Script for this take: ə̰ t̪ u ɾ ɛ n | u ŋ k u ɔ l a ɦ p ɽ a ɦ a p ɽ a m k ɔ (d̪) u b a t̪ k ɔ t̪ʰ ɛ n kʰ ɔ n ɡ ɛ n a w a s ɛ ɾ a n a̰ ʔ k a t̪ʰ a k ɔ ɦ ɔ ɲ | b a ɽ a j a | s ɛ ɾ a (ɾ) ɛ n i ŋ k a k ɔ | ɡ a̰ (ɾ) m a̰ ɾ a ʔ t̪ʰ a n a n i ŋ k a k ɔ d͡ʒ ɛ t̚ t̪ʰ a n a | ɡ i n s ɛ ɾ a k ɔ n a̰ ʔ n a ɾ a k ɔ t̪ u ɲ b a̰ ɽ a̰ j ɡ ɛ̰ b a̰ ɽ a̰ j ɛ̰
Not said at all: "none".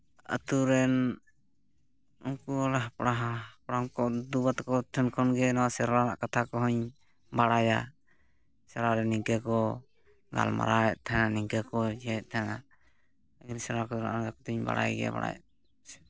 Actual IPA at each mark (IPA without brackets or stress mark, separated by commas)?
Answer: d̪, ɾ, l